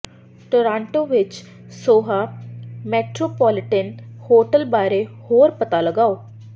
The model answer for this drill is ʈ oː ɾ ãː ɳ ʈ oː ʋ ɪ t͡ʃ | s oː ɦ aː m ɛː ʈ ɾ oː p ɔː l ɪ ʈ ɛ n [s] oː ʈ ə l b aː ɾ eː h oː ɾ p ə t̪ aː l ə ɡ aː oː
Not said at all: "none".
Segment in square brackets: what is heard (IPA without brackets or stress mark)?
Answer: h